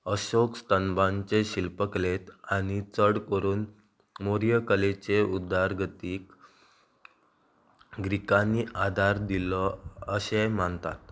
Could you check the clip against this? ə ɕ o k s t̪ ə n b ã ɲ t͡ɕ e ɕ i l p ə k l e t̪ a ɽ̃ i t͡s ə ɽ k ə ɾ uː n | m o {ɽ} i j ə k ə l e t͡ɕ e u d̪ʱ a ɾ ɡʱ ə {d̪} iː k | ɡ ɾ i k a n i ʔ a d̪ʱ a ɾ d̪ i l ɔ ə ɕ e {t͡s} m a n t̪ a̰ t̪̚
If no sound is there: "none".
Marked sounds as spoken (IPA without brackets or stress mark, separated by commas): ɾ, t̪, none